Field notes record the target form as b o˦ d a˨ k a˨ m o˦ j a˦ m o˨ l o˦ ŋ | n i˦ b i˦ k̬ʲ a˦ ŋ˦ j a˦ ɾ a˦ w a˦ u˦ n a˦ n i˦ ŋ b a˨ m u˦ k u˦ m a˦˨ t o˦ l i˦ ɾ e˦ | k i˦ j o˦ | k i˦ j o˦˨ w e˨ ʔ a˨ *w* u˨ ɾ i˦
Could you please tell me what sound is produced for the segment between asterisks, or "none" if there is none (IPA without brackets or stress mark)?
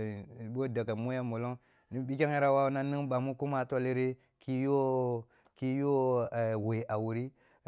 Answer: w